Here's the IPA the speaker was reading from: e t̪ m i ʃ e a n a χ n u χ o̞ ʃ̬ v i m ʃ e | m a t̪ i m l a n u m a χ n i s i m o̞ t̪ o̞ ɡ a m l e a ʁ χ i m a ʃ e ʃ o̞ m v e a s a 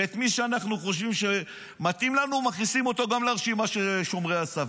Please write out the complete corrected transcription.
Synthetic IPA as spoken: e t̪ m i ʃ e a n a χ n u χ o̞ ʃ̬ v i m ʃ e | m a t̪ i m l a n u m a χ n i s i m o̞ t̪ o̞ ɡ a m l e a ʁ ʃ i m a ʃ e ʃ o̞ m ʁ e a s a

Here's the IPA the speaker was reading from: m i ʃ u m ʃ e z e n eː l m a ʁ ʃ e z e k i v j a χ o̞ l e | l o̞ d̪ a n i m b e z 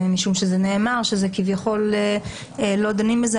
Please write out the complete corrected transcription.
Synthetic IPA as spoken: m i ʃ u m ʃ e z e n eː m a ʁ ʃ e z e k i v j a χ o̞ l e | l o̞ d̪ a n i m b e z

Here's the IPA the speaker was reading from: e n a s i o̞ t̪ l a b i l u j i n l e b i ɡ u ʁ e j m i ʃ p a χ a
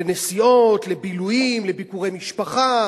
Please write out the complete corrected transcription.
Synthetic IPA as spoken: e n e s i o̞ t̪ l e b i l u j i m l e b i k u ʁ e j m i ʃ p a χ a

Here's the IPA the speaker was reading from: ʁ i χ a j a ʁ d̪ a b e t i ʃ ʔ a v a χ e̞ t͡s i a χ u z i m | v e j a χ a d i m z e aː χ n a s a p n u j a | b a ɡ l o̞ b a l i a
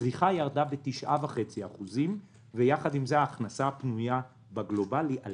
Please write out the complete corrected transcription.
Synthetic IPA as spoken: ʁ i χ a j a ʁ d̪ a b e t i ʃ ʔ a v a χ e̞ t͡s i a χ u z i m | v e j a χ a d i m z e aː χ n a s a p n u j a | b a ɡ l o̞ b a l i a

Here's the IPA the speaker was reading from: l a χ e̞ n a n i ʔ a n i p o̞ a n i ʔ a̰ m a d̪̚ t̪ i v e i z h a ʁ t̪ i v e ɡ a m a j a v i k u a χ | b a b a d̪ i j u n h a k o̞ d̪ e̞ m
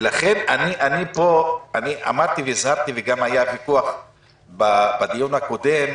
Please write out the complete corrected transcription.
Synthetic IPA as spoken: l a χ e̞ n a n i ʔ a n i p o̞ a n i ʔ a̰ m a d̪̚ t̪ i v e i z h a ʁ t̪ i v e ɡ a m a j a v i k u a χ | b a b a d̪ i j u n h a k o̞ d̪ e̞ m

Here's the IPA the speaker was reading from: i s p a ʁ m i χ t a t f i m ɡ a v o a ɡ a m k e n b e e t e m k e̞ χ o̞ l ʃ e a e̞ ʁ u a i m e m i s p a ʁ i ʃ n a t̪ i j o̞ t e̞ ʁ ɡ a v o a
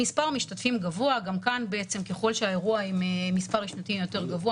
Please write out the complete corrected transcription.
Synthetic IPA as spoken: i s p a ʁ m i ʃ t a t f i m ɡ a v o a ɡ a m k a n b e e t͡s e m k e̞ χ o̞ l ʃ e a e̞ ʁ u a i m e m i s p a ʁ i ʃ n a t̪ i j o̞ t e̞ ʁ ɡ a v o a

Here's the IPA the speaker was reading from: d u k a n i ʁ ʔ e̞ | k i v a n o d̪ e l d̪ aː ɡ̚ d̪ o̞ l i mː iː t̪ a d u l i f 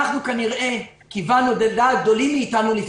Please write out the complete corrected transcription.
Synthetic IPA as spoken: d u k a n i ʁ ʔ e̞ | k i v a n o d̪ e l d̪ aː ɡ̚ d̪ o̞ l i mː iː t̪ a n u l i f

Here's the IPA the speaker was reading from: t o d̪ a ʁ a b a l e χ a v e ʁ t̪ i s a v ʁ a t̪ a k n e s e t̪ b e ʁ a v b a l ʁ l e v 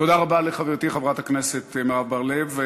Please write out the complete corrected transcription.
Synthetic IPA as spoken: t o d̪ a ʁ a b a l e χ a v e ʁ t̪ i χ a v ʁ a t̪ a k n e s e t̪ m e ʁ a v b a ʁ l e v

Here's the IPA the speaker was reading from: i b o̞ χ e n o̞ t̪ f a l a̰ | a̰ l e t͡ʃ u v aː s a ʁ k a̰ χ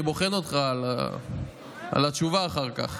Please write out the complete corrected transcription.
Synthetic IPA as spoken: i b o̞ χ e n o̞ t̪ χ a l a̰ | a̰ l a t͡ʃ u v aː χ a ʁ k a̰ χ

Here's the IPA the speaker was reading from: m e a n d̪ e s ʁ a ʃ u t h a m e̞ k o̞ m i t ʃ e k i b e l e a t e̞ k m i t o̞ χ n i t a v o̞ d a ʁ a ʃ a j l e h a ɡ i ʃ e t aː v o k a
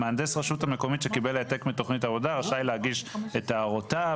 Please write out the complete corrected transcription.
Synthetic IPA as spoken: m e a n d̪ e s ʁ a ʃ u t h a m e̞ k o̞ m i t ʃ e k i b e l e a t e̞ k m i t o̞ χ n i t a v o̞ d a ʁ a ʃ a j l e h a ɡ i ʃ e t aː ʁ o t a

